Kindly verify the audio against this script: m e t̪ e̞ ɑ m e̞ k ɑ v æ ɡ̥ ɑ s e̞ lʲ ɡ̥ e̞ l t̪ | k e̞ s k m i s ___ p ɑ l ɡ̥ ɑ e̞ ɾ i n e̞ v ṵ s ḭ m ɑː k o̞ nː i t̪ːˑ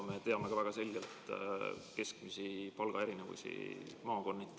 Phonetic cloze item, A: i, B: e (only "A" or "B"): A